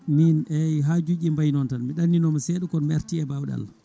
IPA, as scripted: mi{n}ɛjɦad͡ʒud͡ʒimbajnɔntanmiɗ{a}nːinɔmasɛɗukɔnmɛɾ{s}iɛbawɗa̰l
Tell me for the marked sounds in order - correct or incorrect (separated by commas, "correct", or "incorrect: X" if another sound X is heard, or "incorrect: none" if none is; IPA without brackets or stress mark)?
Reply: correct, correct, incorrect: t